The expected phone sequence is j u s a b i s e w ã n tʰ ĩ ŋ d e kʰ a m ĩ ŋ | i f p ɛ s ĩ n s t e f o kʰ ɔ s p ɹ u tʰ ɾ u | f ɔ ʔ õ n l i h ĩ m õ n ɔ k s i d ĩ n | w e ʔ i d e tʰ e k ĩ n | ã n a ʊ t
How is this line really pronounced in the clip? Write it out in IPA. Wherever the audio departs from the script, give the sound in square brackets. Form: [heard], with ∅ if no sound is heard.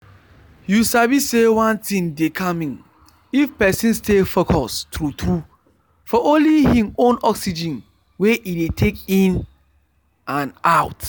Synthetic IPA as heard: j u s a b i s e w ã n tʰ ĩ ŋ d e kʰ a m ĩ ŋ | i f p ɛ s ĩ n s t e f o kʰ ɔ s [t] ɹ u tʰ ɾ u | f ɔ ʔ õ n l i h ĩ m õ n ɔ k s i [d͡ʒ] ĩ n | w e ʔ i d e tʰ e k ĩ n | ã n a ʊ t